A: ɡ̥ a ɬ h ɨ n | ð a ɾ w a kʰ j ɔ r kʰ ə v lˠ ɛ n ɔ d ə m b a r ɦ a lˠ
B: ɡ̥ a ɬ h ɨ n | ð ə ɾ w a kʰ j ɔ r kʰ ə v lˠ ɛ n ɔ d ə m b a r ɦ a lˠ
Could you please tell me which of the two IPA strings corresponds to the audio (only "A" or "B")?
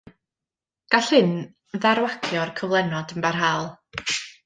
A